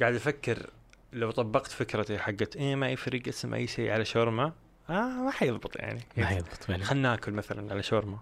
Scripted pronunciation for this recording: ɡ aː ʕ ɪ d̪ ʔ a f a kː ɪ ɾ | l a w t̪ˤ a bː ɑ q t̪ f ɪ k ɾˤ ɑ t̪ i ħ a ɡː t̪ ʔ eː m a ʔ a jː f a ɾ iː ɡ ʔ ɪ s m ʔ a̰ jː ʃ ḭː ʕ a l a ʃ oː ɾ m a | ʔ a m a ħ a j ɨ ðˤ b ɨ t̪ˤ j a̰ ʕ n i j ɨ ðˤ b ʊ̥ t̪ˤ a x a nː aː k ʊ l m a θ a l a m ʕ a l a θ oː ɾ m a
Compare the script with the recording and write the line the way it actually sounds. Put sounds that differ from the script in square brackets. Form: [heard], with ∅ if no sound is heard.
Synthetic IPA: ɡ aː ʕ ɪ d̪ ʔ a f a kː ɪ ɾ | l a w t̪ˤ [ɑ] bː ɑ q t̪ f ɪ k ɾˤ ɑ t̪ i ħ a ɡː t̪ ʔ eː m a ʔ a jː f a ɾ iː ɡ ʔ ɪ s m ʔ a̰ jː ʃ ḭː ʕ a l a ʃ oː ɾ m a | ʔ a m a ħ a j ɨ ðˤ b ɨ t̪ˤ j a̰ ʕ n i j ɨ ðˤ b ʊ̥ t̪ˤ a x a nː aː k ʊ l m a θ a l a [n] ʕ a l a [ʃ] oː ɾ m a